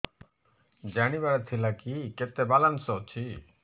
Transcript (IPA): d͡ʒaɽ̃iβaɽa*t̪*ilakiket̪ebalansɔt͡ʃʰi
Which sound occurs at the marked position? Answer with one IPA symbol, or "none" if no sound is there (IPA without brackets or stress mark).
t̪ʰ